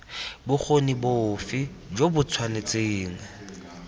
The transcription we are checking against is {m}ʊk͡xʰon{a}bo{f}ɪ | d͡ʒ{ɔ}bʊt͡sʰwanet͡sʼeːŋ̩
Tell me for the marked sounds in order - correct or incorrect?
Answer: incorrect, incorrect, correct, incorrect

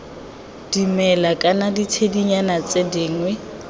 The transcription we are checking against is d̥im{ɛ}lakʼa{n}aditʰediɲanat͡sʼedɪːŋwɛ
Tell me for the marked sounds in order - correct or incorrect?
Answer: correct, correct

